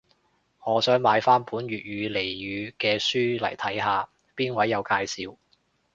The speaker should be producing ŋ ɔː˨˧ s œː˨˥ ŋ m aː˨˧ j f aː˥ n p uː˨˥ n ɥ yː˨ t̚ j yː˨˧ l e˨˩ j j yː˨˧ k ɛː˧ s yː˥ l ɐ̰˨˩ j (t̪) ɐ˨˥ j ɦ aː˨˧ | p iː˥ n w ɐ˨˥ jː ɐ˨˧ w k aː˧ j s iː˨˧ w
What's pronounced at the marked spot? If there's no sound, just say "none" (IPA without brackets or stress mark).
t̪ʰ